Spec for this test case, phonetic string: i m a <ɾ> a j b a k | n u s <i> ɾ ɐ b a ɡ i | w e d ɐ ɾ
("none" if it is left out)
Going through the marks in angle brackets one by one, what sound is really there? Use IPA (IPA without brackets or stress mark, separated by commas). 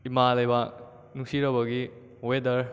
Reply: l, i